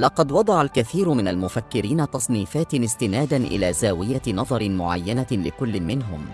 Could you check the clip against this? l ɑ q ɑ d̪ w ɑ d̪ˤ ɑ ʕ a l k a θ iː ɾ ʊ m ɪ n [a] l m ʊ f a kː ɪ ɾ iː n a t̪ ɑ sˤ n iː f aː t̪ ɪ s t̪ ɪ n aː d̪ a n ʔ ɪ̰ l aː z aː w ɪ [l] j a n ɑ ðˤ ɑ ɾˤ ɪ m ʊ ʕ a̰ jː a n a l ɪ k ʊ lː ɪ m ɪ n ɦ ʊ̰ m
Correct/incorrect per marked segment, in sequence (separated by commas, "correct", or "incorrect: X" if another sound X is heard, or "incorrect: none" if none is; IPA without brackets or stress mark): correct, incorrect: none